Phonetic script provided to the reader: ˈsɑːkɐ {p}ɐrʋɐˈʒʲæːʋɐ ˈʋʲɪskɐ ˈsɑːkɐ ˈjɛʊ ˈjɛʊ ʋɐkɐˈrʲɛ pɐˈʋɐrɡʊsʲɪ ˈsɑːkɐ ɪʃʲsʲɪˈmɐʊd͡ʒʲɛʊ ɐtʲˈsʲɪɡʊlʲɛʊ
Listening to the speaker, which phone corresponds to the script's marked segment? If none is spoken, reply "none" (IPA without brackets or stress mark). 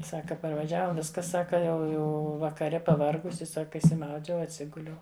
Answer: p